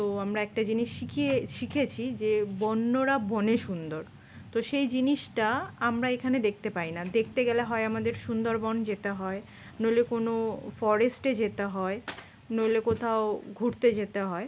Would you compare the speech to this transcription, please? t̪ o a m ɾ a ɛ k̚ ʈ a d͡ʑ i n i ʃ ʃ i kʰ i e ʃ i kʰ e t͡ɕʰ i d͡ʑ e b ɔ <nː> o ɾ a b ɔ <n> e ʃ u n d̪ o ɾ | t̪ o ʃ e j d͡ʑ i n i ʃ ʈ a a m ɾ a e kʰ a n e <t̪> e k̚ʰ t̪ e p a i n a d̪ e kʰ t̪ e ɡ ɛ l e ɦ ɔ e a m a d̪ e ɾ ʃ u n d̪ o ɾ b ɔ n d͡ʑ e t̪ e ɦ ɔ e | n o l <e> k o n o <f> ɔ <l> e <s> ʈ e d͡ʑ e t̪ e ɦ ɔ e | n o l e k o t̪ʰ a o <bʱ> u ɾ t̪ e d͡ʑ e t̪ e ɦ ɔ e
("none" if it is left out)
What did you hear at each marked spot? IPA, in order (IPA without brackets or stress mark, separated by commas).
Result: nː, n, d̪, e, f, ɾ, s, ɡʱ